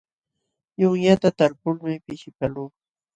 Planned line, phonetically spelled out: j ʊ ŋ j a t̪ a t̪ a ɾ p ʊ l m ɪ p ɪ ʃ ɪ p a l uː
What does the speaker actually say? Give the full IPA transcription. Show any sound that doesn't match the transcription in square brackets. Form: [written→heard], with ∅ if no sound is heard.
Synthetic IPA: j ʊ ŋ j a t̪ a t̪ a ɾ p ʊ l m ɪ p ɪ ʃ ɪ p a l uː